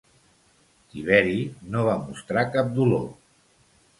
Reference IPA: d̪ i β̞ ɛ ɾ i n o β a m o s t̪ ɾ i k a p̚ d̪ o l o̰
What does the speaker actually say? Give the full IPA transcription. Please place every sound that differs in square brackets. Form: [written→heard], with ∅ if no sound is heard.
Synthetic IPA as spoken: [d̪→t̪] i β̞ ɛ ɾ i n o β a m [o→u] s t̪ ɾ [i→a] k a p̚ d̪ [o→u] l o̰

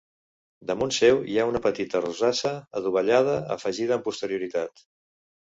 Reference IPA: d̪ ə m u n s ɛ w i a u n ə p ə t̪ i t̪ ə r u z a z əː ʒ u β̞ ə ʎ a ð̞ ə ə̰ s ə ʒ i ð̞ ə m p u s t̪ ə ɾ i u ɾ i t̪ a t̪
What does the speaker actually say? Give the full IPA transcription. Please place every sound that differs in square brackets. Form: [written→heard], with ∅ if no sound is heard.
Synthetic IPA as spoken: d̪ ə m u n s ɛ w i a u n ə p ə t̪ i t̪ ə r u z a [z→s] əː [ʒ→ð] u β̞ ə ʎ a ð̞ ə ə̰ [s→f] ə ʒ i ð̞ ə m p u s t̪ ə ɾ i u ɾ i t̪ a t̪

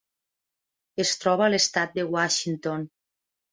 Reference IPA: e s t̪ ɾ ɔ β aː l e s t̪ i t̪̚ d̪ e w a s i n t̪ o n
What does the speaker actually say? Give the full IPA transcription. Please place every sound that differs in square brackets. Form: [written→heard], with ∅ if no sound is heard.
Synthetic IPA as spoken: e s t̪ ɾ ɔ β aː l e s t̪ [i→a] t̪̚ d̪ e w a [s→ʃ] i n t̪ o n

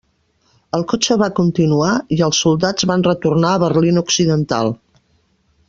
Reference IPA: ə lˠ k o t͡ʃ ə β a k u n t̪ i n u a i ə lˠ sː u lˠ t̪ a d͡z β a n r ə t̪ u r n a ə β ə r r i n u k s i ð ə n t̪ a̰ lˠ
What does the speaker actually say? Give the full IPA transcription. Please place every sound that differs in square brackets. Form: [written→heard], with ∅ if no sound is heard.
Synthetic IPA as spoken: ə lˠ k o t͡ʃ ə β a k u n t̪ i n u a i ə lˠ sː u lˠ [t̪→d̪] a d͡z β a n r ə t̪ u r n a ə β ə r [r→l] i n u k s i ð ə n t̪ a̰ lˠ

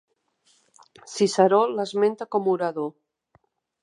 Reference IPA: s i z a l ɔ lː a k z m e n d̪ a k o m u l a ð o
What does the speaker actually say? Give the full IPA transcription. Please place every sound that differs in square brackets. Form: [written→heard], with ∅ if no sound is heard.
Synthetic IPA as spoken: s i [z→s] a [l→ɾ] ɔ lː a [k→∅] z m e n [d̪→t̪] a k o m u [l→ɾ] a ð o

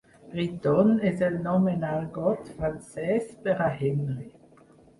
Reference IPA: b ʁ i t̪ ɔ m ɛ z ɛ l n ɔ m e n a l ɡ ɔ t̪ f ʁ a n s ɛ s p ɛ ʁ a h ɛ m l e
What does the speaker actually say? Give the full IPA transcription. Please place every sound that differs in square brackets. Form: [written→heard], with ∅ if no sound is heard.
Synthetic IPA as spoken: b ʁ i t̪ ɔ [m→n] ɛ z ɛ l n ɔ m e n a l ɡ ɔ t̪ f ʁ a n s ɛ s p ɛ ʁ a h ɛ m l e

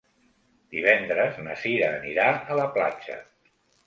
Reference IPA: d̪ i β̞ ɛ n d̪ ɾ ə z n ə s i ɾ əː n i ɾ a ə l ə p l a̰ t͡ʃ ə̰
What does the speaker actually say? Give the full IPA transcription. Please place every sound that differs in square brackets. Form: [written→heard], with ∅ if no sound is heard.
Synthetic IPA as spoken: d̪ i β̞ ɛ n d̪ ɾ ə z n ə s i ɾ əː n i ɾ a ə l ə p l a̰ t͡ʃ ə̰

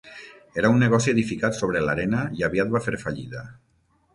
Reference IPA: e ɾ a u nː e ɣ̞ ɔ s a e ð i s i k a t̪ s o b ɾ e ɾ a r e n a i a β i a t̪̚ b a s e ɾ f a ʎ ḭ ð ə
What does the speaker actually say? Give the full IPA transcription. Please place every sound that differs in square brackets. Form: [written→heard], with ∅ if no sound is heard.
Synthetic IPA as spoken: e ɾ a u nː e ɣ̞ ɔ s [a→i] e ð i [s→f] i k a t̪ s o [b→β] ɾ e [ɾ→l] a [r→ɾ] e n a i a β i a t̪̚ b a [s→f] e ɾ f a ʎ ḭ ð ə

